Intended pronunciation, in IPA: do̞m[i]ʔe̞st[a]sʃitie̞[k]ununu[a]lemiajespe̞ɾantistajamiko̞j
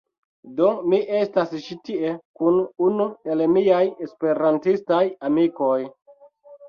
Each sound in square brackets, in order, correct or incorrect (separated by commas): correct, correct, correct, incorrect